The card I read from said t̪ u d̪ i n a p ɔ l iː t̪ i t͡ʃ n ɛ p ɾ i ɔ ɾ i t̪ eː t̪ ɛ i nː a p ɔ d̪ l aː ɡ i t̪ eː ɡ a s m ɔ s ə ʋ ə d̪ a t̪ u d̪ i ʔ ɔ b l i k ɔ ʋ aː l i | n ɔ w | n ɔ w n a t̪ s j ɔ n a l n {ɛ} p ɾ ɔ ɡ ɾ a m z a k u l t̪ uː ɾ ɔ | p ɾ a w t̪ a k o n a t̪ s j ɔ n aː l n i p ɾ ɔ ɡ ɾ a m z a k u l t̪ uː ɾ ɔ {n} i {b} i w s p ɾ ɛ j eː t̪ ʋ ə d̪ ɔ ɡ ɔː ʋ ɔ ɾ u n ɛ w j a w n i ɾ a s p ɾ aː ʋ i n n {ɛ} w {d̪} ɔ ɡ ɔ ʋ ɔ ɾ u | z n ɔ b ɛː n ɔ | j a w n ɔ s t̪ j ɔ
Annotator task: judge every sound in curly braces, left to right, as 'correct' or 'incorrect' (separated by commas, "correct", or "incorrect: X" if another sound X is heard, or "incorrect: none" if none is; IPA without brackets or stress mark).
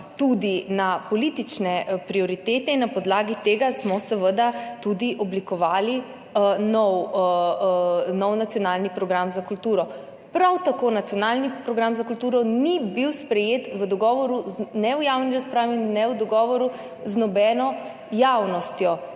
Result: incorrect: i, correct, correct, correct, correct